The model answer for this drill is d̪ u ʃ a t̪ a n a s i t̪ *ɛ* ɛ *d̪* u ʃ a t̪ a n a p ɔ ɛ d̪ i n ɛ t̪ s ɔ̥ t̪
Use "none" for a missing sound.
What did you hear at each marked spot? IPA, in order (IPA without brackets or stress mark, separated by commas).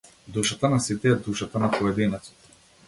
ɛ, d̪